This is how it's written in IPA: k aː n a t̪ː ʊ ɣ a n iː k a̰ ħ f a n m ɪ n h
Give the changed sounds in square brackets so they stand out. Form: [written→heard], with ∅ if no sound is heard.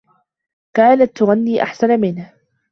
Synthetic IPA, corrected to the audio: k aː n a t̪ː ʊ ɣ a [n→nː] iː [k→ʔ] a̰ ħ [f→s] a n m ɪ n h